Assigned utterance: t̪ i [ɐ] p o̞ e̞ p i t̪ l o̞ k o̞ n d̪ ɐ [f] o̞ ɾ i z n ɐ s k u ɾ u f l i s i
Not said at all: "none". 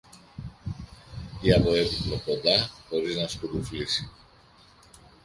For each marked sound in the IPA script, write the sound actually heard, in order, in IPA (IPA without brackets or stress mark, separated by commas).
ɐ, x